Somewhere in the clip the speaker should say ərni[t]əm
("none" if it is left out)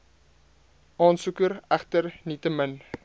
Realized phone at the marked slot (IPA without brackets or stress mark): t